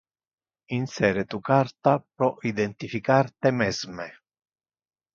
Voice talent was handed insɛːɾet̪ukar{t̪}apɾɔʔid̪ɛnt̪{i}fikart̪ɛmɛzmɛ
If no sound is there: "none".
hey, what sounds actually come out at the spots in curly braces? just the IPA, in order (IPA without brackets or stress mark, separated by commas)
t̪, i